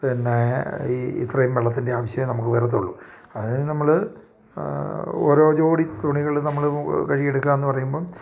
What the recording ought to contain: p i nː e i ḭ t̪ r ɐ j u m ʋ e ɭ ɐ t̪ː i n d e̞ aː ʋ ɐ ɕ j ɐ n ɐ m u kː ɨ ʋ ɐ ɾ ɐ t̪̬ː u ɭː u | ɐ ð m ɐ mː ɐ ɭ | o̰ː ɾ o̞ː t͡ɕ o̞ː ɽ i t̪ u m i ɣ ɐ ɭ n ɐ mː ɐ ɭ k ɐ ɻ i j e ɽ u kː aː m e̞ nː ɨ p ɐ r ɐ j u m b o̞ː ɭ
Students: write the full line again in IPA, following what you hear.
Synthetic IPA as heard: p i nː e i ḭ t̪ r ɐ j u m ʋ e ɭ ɐ t̪ː i n d e̞ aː ʋ ɐ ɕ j ɐ n ɐ m u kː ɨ ʋ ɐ ɾ ɐ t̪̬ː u ɭː u | ɐ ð n ɐ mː ɐ ɭ | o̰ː ɾ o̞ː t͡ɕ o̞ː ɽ i t̪ u ɳ i ɣ ɐ ɭ n ɐ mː ɐ ɭ k ɐ ɻ i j e ɽ u kː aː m e̞ nː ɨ p ɐ r ɐ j u m b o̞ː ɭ